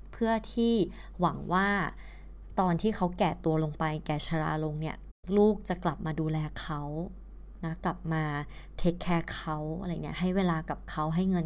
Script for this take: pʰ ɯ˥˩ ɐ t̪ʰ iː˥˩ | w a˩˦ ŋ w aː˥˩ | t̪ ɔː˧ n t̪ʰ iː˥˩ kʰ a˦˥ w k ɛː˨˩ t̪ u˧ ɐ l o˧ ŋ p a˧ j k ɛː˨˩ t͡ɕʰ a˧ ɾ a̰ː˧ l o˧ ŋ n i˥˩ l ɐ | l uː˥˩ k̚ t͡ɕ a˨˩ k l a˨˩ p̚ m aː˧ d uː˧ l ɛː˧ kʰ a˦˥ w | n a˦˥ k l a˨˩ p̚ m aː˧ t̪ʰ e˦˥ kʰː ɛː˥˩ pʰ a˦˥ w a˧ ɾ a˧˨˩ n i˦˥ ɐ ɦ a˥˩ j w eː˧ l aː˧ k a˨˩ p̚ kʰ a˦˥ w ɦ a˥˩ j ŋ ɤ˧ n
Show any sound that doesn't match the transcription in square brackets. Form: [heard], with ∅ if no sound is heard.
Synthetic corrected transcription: pʰ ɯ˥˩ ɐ t̪ʰ iː˥˩ | w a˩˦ ŋ w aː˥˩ | t̪ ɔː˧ n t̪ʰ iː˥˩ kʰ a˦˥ w k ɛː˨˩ t̪ u˧ ɐ l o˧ ŋ p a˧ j k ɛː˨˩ t͡ɕʰ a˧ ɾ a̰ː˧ l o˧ ŋ n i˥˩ [∅] ɐ | l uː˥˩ k̚ t͡ɕ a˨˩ k l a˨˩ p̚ m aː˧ d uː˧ l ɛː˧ kʰ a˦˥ w | n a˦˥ k l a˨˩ p̚ m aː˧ t̪ʰ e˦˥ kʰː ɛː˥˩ [kʰ] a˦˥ w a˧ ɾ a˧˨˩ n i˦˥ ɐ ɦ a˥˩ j w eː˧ l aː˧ k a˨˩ p̚ kʰ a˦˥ w ɦ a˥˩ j ŋ ɤ˧ n